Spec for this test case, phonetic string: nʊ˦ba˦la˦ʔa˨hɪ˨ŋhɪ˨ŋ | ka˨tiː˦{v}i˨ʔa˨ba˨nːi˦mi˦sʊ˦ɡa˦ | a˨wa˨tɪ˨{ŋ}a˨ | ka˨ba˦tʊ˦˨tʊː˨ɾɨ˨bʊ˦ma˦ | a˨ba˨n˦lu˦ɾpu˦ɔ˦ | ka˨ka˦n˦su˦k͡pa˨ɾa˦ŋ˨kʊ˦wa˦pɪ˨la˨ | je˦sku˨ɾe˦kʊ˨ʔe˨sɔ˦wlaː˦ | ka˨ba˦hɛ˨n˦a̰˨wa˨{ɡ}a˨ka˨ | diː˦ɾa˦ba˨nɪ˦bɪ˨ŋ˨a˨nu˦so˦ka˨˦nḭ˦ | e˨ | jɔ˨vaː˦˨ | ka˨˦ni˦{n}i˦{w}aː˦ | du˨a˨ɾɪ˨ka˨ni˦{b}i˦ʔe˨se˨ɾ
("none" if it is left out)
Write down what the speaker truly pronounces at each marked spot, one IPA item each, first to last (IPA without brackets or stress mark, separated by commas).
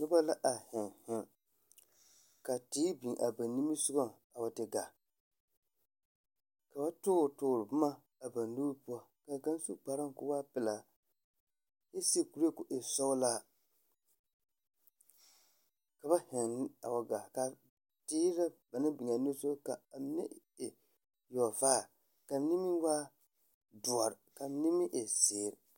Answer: b, ɡ, ɡ, m, w, m